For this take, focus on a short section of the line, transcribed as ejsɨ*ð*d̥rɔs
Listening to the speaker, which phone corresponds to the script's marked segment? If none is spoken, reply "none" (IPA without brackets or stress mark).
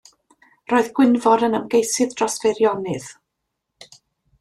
ð